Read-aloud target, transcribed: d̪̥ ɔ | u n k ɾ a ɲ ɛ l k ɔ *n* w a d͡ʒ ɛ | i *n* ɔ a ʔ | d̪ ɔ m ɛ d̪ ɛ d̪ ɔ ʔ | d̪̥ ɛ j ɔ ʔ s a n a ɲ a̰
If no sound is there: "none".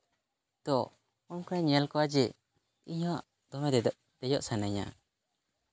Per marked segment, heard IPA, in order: none, ɲ

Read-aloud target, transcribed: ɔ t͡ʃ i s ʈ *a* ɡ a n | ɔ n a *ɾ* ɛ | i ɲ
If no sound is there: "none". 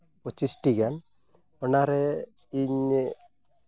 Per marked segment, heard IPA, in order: i, ɾ

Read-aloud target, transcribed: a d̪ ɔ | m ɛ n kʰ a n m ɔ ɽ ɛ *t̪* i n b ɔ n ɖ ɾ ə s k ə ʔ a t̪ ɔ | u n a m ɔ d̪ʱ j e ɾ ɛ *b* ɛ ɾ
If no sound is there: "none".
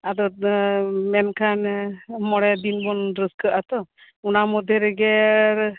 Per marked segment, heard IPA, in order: d̪, ɡ

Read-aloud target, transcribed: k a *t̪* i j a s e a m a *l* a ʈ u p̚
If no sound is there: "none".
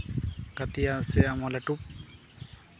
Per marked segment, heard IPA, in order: t̪, l

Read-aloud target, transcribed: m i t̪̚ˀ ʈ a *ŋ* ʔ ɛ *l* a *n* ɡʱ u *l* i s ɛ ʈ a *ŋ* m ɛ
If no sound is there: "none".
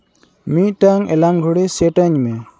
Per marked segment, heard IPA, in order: ŋ, l, ŋ, ɽ, ɲ

